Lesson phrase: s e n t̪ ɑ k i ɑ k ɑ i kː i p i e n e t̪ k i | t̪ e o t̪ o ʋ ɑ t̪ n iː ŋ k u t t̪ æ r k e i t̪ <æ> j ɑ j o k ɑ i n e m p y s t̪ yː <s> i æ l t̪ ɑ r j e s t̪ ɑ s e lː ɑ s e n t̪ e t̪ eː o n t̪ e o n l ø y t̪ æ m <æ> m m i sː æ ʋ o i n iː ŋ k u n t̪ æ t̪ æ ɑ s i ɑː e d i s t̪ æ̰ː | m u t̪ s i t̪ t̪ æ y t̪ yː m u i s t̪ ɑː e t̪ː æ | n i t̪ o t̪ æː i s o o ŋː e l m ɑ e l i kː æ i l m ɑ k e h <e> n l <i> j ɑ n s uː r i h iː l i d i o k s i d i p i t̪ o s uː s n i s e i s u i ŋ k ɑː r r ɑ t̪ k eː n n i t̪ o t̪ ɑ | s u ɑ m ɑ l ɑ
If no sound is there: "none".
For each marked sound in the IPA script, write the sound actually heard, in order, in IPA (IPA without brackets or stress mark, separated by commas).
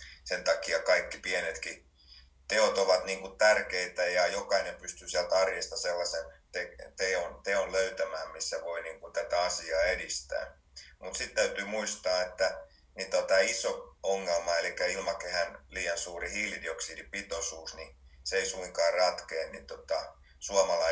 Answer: æ, s, æː, æ, iː